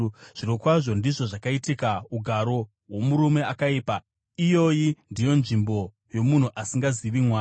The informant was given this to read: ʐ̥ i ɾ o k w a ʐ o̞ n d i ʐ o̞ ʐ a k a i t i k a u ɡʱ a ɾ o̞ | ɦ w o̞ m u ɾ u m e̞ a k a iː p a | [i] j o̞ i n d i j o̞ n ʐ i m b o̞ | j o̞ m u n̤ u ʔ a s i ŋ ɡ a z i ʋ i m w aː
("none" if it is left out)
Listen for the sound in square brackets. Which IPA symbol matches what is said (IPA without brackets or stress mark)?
i